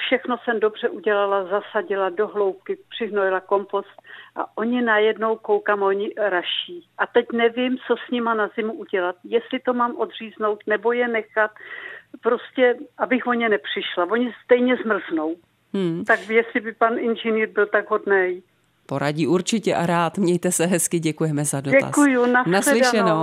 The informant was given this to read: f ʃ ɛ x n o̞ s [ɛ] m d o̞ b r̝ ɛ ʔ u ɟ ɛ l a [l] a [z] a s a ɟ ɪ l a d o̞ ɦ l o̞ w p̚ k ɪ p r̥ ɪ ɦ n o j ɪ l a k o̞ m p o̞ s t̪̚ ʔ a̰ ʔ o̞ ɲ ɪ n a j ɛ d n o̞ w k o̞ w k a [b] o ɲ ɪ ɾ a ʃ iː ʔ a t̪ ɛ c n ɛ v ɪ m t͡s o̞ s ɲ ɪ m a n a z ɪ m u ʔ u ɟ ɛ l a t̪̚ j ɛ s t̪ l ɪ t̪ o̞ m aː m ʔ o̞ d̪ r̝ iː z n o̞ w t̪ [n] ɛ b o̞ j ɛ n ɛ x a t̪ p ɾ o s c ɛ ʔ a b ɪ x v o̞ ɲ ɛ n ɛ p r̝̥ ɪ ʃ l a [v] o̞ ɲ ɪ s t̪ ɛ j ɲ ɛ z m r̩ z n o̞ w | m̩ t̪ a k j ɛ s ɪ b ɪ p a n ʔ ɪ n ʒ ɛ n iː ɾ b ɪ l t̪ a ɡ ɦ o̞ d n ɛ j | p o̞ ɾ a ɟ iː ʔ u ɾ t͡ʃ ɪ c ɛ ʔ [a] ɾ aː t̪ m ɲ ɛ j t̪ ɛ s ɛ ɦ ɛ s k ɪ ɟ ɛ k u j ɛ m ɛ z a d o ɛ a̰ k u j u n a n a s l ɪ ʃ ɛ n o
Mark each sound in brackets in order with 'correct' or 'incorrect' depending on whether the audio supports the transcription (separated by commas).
correct, correct, correct, incorrect, correct, correct, correct